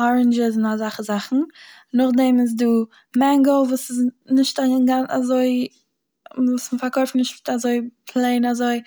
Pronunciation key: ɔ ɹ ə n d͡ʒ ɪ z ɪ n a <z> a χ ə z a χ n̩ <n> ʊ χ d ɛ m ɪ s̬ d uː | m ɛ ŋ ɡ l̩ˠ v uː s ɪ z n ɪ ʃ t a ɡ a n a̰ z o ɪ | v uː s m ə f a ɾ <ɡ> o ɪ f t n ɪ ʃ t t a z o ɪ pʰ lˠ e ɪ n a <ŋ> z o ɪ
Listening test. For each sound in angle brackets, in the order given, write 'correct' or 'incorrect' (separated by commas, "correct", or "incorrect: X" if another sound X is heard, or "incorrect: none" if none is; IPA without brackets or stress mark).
correct, correct, incorrect: k, incorrect: none